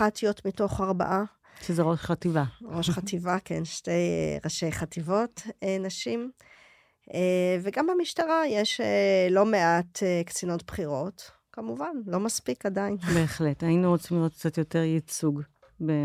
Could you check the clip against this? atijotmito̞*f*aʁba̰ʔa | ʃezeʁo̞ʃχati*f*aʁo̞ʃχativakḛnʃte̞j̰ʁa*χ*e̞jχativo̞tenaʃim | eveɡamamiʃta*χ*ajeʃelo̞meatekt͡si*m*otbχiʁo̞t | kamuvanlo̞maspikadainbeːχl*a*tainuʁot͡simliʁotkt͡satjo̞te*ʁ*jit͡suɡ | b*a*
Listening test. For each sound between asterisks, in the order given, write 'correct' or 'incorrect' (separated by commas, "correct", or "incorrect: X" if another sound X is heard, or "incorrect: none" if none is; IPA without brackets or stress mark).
incorrect: χ, incorrect: v, incorrect: ʃ, incorrect: ʁ, incorrect: n, incorrect: e, correct, incorrect: e